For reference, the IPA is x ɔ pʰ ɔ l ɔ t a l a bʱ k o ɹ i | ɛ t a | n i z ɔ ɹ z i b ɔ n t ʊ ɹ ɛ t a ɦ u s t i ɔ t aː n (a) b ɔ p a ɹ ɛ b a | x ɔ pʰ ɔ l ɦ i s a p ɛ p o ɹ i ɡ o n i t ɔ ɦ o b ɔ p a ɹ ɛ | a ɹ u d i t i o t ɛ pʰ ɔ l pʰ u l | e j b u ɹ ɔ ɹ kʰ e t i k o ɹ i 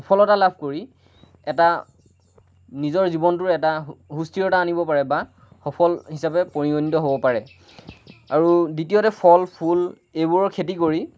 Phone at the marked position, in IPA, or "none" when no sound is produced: i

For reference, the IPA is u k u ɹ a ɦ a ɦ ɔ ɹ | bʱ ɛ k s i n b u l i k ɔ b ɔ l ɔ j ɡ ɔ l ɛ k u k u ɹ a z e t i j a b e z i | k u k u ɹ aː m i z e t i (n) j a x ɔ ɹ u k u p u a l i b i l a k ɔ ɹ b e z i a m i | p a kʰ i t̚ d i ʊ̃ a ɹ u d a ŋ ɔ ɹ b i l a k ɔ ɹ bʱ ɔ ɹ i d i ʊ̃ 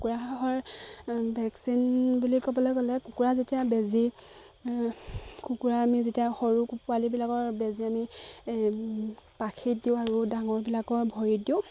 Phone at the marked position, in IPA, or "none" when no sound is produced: none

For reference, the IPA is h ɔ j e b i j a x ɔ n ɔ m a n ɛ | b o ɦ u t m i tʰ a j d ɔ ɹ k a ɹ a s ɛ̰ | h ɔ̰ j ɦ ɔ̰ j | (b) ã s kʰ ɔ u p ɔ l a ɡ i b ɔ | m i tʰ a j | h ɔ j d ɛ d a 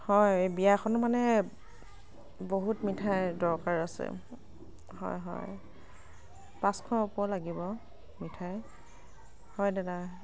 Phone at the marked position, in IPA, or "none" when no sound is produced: p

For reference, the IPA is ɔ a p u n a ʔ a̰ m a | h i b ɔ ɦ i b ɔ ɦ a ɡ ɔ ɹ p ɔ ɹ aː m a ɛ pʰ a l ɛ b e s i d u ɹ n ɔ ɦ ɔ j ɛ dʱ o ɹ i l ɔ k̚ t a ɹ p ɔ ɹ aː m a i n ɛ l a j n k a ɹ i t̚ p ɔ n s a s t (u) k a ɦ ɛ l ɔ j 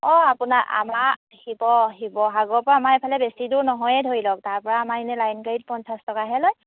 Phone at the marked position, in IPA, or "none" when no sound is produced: ɔ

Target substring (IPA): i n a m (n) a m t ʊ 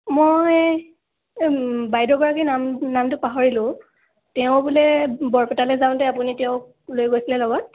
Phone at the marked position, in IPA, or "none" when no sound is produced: n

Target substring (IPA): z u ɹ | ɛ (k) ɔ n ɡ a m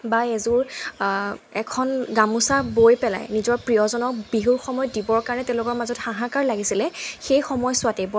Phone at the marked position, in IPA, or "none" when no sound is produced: kʰ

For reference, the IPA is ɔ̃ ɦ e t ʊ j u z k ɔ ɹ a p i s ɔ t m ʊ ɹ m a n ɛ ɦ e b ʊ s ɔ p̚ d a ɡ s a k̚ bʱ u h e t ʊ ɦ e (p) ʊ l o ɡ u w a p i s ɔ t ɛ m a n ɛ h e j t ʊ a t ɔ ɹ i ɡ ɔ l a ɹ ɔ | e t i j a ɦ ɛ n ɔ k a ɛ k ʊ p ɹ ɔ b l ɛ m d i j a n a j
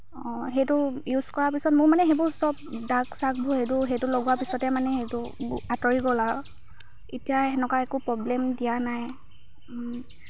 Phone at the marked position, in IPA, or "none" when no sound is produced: t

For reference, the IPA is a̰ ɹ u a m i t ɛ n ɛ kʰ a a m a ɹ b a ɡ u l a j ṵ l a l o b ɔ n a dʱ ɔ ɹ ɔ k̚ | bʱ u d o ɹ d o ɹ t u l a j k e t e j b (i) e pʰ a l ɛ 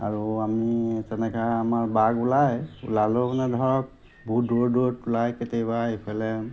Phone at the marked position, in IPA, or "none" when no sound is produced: a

